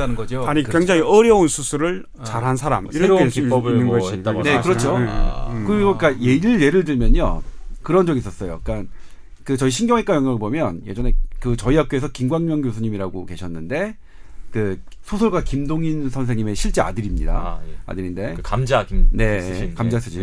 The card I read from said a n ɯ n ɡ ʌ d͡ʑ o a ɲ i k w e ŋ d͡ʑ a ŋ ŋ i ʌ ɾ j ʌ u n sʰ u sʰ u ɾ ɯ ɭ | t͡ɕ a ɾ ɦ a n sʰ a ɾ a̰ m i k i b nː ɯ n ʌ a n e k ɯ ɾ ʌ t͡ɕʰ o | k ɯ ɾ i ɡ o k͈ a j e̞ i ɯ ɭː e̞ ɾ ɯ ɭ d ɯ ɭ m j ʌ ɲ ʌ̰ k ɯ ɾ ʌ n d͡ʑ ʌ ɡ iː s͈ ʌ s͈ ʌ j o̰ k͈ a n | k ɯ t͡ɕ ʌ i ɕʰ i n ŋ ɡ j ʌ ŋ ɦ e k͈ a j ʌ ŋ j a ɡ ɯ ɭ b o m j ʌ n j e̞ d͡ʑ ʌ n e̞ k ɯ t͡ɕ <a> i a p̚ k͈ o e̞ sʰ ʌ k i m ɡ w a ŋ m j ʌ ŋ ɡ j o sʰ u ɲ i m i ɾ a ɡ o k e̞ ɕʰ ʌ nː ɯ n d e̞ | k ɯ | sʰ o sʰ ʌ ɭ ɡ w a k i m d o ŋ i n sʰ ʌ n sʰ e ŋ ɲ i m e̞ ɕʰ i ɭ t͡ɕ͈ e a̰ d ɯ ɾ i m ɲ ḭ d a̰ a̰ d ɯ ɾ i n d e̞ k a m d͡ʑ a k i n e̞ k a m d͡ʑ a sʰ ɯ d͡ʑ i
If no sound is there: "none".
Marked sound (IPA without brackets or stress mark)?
ʌ